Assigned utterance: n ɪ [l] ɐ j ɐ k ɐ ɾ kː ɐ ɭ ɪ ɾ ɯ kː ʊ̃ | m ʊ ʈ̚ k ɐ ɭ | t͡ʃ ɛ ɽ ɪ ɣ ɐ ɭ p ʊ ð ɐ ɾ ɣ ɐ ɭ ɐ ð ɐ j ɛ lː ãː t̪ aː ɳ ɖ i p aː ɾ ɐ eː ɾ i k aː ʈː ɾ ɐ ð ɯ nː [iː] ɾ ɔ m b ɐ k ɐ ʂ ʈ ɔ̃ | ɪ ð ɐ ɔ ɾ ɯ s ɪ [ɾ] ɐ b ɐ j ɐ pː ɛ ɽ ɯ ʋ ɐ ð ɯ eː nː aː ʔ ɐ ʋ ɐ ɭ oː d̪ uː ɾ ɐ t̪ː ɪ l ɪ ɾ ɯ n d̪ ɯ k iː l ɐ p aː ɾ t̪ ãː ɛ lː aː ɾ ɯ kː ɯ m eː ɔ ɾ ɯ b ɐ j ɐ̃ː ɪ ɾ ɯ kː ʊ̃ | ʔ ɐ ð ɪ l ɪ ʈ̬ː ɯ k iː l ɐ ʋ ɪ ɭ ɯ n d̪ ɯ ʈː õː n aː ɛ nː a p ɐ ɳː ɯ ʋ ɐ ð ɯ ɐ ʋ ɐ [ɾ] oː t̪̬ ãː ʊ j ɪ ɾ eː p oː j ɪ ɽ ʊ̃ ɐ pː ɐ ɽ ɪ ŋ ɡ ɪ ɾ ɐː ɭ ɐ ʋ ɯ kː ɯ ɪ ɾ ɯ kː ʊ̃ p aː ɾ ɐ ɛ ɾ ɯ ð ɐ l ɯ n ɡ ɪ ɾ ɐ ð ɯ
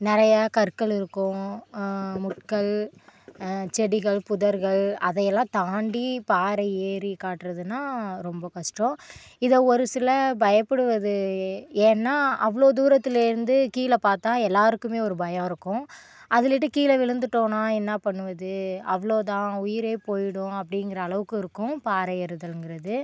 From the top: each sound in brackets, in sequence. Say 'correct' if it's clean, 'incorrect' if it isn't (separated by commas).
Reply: incorrect, incorrect, incorrect, incorrect